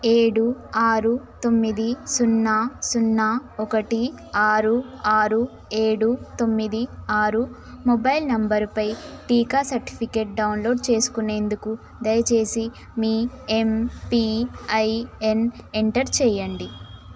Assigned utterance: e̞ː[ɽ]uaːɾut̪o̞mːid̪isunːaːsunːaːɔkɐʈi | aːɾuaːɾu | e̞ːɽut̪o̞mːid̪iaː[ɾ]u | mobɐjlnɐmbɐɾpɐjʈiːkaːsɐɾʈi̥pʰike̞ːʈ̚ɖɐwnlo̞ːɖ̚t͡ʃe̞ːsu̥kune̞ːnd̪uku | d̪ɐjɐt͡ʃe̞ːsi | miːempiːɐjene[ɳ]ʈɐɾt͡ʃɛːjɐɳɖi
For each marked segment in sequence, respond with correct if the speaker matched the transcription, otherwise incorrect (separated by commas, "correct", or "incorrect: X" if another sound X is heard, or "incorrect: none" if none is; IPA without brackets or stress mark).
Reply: correct, correct, correct